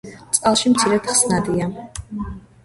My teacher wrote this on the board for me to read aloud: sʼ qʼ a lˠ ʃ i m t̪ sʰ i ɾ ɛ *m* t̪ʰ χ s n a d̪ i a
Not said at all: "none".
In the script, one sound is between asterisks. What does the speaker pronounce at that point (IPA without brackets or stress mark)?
none